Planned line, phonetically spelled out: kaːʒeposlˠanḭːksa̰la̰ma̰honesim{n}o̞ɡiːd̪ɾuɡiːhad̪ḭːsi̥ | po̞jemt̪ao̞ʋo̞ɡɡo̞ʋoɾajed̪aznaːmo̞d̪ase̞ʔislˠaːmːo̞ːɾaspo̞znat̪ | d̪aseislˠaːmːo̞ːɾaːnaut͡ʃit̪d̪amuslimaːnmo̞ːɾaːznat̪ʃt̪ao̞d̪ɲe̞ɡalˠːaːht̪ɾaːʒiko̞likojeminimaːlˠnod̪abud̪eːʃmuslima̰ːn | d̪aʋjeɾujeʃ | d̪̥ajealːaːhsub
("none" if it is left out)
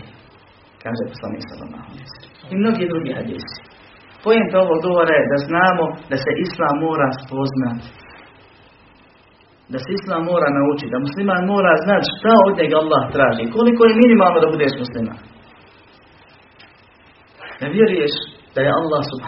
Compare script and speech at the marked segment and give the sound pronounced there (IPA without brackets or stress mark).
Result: n